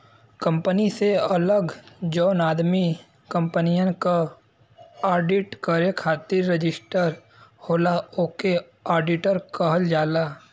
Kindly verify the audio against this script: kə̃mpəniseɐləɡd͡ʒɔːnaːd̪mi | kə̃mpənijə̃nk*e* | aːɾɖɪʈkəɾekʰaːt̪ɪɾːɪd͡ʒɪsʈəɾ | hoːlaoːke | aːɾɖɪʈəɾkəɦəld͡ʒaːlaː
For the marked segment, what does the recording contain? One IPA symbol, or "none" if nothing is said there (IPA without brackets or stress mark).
a